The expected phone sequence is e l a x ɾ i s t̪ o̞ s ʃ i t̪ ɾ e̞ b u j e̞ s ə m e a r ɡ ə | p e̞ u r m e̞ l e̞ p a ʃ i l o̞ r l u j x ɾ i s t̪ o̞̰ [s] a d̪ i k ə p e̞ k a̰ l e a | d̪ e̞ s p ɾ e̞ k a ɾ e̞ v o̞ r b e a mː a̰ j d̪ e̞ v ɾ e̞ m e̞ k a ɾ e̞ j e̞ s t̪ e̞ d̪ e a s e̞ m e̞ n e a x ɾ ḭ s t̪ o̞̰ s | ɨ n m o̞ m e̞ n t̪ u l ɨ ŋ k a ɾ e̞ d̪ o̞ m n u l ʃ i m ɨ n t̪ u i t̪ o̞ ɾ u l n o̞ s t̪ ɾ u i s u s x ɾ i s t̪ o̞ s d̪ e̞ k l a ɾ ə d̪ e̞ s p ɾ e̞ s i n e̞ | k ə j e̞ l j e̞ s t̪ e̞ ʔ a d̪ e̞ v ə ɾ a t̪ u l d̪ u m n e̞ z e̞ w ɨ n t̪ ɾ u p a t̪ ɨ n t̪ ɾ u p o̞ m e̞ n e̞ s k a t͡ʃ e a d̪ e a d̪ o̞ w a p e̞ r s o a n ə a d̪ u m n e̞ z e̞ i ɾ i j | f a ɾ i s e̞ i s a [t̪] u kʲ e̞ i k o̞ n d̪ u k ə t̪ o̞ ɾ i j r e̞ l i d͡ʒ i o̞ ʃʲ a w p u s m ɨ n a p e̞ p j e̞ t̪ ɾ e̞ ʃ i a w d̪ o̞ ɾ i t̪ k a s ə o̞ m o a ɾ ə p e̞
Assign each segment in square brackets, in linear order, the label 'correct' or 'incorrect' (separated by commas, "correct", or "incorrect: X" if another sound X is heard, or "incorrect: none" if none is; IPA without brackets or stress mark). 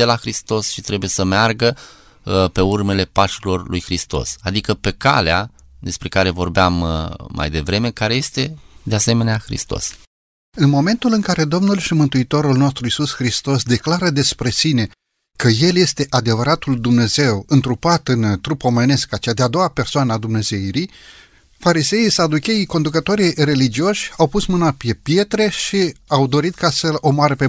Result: correct, incorrect: d̪